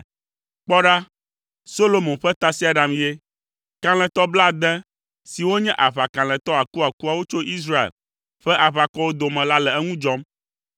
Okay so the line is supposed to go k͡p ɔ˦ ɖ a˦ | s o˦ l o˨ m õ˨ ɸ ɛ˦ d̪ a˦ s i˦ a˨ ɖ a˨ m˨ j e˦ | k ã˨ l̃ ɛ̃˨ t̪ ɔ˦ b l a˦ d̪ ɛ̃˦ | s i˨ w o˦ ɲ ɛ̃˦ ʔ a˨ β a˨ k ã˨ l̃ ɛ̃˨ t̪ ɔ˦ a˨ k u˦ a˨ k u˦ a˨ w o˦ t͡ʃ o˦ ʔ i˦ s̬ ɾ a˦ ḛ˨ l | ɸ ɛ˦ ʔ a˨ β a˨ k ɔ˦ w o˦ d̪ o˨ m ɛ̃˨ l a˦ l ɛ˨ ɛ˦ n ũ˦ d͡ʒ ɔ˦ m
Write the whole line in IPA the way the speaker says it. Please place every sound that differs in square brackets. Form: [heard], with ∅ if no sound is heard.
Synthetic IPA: k͡p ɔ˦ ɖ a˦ | s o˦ l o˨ m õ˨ ɸ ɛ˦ [t̪] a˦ s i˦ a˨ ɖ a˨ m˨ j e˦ | k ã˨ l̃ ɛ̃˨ t̪ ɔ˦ b l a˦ d̪ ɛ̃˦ | s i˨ w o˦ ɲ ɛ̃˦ ʔ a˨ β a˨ k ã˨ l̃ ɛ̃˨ t̪ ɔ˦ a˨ k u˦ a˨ k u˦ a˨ w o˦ t͡ʃ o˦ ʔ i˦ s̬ ɾ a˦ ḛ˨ l | ɸ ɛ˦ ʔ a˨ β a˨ k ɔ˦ w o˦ d̪ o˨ m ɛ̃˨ l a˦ l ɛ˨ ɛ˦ [ŋ] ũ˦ d͡ʒ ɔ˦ m